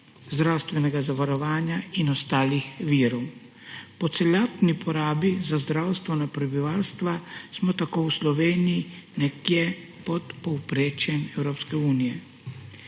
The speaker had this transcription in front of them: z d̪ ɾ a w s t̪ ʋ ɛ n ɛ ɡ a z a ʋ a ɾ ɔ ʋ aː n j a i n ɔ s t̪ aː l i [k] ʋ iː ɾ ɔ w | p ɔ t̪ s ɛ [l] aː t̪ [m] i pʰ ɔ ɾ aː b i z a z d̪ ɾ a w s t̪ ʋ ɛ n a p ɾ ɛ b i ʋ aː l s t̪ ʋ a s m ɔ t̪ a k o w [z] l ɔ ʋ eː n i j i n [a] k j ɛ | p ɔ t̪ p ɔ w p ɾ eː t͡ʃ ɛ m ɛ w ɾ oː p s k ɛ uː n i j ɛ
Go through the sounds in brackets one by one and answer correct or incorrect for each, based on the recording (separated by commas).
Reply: incorrect, correct, incorrect, incorrect, incorrect